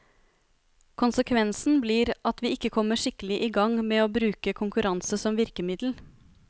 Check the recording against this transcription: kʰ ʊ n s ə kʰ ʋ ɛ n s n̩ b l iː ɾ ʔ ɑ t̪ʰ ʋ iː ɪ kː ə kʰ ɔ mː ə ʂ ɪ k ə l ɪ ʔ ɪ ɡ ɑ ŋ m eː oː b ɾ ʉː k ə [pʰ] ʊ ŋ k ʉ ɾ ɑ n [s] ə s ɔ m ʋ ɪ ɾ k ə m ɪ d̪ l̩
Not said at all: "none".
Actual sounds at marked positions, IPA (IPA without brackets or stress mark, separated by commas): kʰ, s